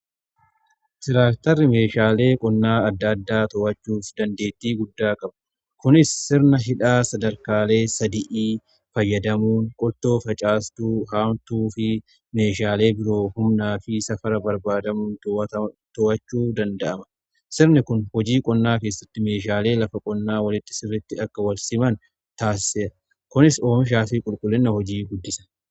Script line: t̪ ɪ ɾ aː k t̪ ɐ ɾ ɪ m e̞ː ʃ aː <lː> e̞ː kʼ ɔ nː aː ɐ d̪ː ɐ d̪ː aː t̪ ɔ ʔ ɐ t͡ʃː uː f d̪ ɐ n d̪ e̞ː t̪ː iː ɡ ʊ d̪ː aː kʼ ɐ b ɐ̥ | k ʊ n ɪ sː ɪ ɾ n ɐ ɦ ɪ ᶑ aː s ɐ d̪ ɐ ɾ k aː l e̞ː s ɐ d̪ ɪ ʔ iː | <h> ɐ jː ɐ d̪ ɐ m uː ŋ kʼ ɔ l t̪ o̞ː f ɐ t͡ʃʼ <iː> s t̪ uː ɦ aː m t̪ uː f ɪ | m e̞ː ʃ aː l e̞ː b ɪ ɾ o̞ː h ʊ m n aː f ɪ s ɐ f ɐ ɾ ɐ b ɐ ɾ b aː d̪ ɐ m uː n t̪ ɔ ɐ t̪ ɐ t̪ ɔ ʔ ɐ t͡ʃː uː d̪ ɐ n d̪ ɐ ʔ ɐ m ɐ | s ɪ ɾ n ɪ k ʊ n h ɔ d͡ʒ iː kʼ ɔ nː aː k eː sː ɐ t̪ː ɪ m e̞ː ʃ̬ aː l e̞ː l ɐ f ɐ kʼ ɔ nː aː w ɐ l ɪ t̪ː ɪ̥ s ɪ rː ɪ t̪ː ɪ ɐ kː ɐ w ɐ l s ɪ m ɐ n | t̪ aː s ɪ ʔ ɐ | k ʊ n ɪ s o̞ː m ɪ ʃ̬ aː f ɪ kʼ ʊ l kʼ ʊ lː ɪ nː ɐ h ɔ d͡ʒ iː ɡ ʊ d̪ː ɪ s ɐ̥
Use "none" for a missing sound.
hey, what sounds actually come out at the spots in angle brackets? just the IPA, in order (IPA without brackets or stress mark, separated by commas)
l, f, aː